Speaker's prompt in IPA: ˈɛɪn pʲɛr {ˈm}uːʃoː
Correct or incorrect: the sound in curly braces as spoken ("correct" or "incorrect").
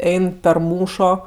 correct